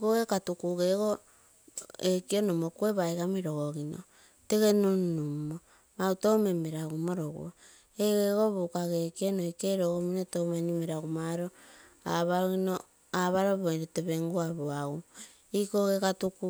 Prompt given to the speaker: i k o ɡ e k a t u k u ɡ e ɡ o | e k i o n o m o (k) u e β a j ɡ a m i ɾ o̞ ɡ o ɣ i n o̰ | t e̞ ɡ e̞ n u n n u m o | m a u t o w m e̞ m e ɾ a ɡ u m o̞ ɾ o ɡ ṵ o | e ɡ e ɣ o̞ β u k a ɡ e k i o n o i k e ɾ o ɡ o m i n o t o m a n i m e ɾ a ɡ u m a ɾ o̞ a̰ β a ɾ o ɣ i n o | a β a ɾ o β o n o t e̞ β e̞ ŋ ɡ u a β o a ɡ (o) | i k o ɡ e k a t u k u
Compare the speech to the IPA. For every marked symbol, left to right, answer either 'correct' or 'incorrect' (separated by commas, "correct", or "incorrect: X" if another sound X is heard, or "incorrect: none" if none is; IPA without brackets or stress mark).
correct, incorrect: u